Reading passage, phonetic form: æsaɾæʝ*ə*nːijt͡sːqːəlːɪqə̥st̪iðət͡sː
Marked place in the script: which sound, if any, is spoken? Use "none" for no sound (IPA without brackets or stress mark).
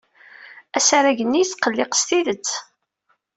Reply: ə